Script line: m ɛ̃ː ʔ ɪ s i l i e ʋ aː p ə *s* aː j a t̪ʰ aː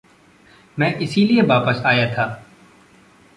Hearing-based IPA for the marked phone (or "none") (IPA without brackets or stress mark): s